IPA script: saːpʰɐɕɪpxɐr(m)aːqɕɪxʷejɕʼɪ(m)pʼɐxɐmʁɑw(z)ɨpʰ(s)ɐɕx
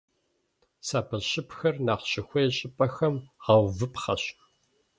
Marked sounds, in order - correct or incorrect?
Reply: incorrect: n, incorrect: none, incorrect: v, incorrect: χ

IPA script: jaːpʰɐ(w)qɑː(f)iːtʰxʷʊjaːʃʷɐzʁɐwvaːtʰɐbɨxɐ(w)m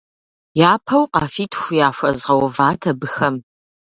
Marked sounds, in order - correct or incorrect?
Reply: correct, correct, incorrect: none

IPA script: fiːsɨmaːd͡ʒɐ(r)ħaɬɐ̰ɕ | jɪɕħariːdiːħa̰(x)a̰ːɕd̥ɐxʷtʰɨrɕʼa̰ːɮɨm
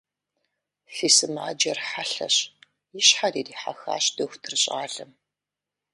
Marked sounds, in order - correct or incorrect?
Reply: correct, correct

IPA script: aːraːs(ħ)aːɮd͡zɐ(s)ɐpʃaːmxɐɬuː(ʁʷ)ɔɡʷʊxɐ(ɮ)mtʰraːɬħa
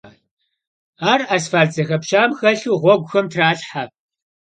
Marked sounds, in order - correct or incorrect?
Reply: incorrect: f, incorrect: x, correct, incorrect: none

